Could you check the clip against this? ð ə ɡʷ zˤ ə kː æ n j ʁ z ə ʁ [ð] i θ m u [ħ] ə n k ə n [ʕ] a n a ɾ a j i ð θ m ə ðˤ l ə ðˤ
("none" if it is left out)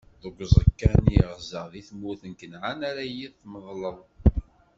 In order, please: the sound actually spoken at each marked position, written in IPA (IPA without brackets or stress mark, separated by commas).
ð, θ, ʕ